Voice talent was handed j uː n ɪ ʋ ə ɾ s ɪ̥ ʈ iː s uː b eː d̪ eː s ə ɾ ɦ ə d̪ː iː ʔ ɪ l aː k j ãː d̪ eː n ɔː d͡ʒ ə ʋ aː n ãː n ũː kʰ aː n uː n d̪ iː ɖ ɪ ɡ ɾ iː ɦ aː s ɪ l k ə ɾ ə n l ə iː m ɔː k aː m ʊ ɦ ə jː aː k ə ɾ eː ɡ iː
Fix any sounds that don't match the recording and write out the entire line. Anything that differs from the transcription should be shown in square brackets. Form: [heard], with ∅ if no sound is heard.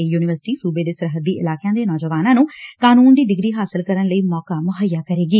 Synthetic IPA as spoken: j uː n ɪ ʋ ə ɾ s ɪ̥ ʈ iː s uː b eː d̪ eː s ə ɾ ɦ ə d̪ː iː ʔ ɪ l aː k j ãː d̪ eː n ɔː d͡ʒ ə ʋ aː n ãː n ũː [k] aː n uː n d̪ iː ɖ ɪ ɡ ɾ iː ɦ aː s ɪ l k ə ɾ ə n l ə iː m ɔː k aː m ʊ ɦ ə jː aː k ə ɾ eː ɡ iː